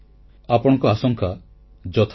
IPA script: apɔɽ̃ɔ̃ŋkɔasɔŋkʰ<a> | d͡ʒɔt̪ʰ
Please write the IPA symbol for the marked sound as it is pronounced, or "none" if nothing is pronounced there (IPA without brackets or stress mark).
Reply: a